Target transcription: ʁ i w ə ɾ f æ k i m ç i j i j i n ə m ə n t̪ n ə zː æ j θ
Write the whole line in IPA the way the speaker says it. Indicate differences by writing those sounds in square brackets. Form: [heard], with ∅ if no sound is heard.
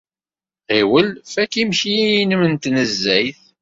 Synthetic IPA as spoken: ʁ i w ə [l] f æ k i m ç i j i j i n ə m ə n t̪ n ə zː æ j θ